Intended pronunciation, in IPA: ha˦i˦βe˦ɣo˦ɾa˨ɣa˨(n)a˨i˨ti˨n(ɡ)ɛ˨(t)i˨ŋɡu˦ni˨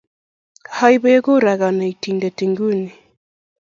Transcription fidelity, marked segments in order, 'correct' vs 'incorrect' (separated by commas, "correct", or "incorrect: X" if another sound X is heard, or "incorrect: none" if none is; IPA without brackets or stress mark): correct, incorrect: d, correct